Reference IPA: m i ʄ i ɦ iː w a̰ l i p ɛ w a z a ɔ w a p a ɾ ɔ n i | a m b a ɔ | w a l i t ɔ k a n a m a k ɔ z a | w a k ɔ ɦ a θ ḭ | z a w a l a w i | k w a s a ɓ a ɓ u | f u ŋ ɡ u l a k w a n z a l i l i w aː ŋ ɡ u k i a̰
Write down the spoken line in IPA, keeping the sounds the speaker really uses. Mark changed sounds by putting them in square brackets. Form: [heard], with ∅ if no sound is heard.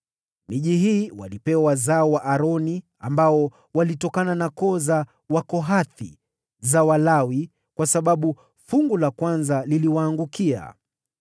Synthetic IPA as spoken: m i ʄ i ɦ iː w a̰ l i p ɛ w a z a ɔ w a [ʔ] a ɾ ɔ n i | a m b a ɔ | w a l i t ɔ k a n a [n] a k ɔ z a | w a k ɔ ɦ a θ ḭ | z a w a l a w i | k w a s a ɓ a ɓ u | f u ŋ ɡ u l a k w a n z a l i l i w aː ŋ ɡ u k i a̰